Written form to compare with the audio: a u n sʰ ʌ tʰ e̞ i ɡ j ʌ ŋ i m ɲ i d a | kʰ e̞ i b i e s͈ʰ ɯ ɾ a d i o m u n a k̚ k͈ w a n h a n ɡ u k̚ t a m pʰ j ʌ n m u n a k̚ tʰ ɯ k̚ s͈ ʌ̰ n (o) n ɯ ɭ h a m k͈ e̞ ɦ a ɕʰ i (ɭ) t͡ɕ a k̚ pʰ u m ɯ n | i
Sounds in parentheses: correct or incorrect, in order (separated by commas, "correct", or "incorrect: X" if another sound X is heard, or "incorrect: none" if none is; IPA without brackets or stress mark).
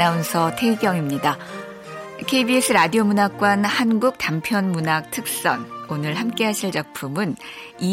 correct, correct